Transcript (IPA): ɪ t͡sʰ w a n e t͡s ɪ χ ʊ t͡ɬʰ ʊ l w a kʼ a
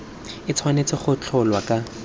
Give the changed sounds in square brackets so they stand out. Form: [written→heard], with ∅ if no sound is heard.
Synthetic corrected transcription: ɪ t͡sʰ w a n e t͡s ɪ χ ʊ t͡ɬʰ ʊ l w a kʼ a